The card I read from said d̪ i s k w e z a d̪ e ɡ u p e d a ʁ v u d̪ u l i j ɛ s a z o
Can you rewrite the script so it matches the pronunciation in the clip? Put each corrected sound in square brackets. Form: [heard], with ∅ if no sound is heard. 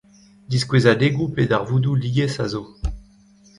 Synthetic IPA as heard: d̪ i s k w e z a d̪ e ɡ u p e d a ʁ v u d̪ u l i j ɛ s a z o